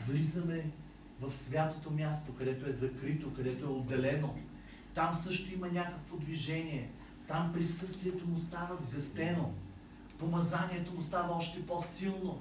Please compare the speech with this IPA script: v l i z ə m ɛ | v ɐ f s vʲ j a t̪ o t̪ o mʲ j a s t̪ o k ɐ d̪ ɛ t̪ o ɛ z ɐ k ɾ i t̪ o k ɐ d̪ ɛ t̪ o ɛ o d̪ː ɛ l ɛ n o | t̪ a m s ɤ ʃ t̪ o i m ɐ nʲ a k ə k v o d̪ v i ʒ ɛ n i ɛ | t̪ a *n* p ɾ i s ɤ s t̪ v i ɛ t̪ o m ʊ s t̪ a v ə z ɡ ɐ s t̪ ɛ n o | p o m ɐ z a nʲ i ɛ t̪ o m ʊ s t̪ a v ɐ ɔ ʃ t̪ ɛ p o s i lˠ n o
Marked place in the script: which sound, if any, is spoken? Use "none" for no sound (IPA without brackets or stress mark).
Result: m